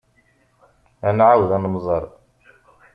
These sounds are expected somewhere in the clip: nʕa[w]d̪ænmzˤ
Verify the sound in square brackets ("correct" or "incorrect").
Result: correct